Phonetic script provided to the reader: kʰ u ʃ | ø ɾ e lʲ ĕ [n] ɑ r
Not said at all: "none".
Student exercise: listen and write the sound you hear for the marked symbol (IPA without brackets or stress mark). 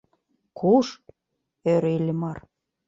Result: m